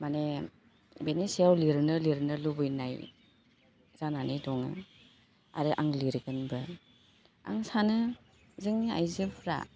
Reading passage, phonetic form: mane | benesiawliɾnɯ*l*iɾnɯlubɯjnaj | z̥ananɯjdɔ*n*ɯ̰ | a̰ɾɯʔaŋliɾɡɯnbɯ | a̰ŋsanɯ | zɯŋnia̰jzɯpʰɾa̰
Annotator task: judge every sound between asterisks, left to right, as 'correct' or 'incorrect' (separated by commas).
correct, incorrect